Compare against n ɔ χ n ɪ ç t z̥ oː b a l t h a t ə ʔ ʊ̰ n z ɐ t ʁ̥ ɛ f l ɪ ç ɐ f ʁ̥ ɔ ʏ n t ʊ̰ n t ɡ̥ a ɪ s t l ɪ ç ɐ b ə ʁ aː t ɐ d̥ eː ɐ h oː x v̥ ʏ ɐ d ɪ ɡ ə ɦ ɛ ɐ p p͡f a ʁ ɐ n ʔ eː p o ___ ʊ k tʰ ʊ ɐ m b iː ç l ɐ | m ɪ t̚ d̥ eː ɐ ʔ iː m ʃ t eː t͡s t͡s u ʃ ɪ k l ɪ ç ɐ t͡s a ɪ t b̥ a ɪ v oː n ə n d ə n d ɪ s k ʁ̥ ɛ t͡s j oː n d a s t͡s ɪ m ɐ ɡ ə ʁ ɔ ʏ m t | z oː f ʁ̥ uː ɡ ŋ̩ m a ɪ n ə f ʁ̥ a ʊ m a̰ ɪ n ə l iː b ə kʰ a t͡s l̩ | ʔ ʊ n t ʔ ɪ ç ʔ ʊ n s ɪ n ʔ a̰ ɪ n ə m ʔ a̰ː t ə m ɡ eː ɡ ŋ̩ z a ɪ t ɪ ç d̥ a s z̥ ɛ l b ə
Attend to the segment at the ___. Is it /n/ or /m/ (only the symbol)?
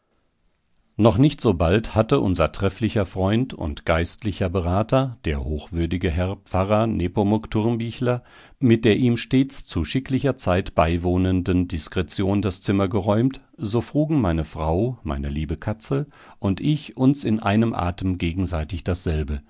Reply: m